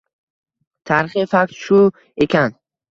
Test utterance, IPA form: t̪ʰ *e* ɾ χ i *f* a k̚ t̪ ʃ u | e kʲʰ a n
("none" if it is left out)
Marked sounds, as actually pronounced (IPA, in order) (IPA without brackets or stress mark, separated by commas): a, f